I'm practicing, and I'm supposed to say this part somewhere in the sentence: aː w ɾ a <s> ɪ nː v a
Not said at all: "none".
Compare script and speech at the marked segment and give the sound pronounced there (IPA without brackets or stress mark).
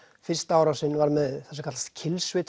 s